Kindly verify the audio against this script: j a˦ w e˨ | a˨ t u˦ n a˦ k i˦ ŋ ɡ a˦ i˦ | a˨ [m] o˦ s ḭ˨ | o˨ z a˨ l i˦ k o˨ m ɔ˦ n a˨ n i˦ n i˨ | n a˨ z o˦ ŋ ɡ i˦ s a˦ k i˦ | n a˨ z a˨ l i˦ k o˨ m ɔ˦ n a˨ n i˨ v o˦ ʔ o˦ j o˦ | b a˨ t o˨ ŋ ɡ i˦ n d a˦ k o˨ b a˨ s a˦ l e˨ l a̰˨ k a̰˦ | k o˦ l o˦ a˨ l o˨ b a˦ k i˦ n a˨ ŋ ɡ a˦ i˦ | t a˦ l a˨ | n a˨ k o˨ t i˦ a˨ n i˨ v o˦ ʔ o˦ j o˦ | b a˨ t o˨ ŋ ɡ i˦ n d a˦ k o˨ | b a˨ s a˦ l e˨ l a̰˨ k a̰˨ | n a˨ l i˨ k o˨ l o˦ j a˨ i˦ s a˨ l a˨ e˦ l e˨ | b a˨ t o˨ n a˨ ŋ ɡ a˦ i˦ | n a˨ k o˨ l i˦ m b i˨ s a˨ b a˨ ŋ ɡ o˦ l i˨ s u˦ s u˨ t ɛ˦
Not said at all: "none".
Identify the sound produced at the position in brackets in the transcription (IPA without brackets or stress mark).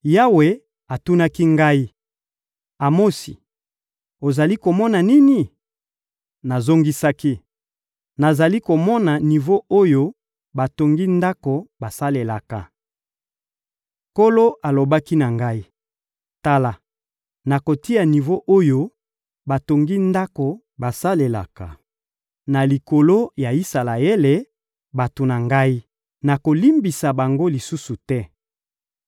m